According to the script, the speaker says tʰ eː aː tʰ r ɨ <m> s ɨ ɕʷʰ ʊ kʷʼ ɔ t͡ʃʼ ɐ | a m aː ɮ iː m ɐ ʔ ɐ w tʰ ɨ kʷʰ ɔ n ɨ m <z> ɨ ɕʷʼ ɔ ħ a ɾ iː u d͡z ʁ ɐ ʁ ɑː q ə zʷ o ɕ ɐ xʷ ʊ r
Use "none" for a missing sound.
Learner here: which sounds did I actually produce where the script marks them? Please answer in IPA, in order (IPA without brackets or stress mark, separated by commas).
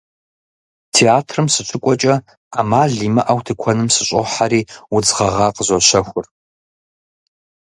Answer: m, s